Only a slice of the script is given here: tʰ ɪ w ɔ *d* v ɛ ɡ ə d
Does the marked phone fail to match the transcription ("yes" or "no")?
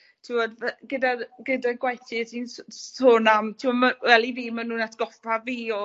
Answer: no